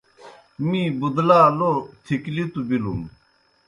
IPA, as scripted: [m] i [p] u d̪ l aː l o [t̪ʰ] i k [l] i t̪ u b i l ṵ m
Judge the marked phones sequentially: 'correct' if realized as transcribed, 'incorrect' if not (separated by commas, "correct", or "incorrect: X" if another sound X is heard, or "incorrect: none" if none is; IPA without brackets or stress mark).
correct, incorrect: b, correct, correct